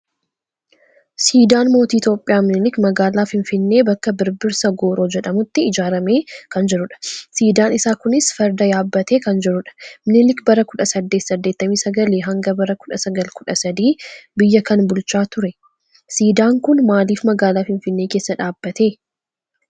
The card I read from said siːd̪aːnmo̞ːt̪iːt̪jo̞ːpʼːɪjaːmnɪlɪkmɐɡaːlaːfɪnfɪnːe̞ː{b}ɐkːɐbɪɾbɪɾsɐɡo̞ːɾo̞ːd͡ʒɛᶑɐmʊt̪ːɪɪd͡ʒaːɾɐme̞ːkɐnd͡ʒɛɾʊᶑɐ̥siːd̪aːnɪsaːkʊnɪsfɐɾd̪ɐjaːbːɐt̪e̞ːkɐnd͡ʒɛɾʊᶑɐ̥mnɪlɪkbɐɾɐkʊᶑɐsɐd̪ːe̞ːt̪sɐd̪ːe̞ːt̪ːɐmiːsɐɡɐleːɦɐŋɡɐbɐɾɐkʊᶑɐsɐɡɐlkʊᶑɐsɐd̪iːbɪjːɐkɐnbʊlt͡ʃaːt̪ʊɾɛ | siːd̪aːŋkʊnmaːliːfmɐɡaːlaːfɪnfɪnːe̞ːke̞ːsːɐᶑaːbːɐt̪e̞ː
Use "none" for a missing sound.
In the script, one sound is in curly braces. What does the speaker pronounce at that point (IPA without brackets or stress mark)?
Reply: b